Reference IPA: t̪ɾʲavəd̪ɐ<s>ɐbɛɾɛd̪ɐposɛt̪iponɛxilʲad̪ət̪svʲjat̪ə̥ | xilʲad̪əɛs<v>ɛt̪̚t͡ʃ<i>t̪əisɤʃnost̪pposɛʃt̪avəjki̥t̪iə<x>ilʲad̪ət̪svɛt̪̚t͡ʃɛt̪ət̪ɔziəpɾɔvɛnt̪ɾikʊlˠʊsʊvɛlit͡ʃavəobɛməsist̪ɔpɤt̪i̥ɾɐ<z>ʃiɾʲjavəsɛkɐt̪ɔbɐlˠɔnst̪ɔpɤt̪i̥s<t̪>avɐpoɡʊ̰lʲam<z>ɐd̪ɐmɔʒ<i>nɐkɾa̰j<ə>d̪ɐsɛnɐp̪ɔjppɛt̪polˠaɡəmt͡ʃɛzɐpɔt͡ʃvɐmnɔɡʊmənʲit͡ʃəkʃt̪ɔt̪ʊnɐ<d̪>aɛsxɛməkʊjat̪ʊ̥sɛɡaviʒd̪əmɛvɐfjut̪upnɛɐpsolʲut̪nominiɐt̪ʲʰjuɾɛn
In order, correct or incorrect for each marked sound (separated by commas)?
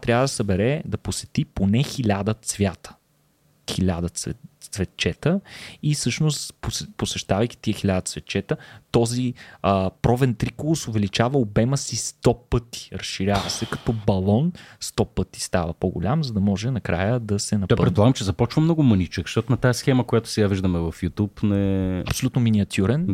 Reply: correct, correct, incorrect, correct, incorrect, correct, correct, incorrect, correct, incorrect